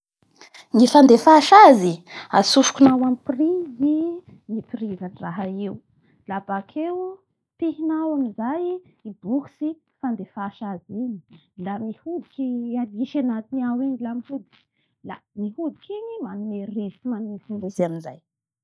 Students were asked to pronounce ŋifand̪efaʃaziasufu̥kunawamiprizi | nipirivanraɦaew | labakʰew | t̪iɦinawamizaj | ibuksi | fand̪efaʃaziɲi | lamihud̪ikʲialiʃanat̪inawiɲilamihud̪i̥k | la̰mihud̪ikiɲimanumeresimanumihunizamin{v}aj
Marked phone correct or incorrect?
incorrect: z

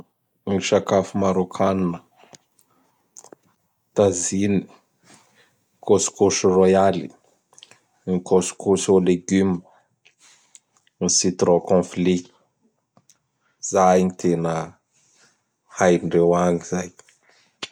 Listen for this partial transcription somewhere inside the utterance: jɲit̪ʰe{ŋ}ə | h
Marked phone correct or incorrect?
incorrect: n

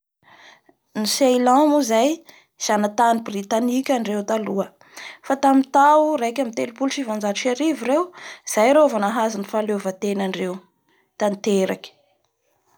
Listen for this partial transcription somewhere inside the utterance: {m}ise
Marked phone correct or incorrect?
incorrect: n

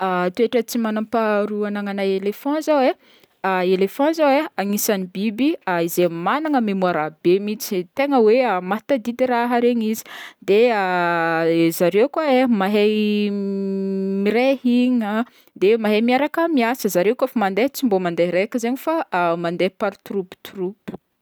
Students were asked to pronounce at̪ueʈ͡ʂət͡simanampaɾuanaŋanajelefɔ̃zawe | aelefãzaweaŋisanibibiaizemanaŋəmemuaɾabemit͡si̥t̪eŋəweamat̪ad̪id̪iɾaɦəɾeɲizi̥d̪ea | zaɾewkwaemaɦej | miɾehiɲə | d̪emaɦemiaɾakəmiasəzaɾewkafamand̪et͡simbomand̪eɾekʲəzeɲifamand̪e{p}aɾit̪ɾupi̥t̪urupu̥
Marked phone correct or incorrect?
correct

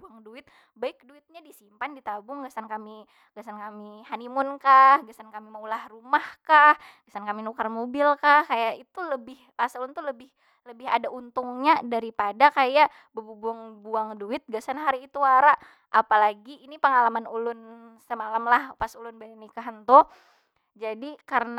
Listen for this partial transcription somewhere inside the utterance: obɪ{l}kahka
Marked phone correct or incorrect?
correct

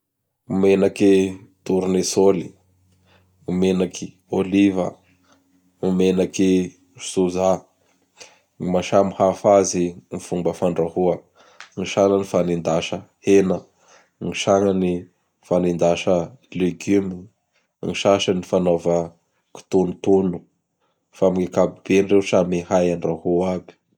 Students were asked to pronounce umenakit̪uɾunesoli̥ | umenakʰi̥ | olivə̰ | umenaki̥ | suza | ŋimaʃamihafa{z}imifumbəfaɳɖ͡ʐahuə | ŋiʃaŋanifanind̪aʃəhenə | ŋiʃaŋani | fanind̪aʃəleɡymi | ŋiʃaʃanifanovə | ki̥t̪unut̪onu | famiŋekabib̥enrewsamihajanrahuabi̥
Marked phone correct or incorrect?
correct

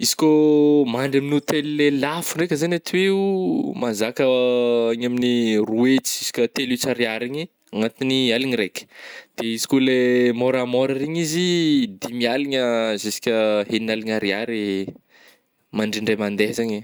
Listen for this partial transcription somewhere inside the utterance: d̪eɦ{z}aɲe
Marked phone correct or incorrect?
correct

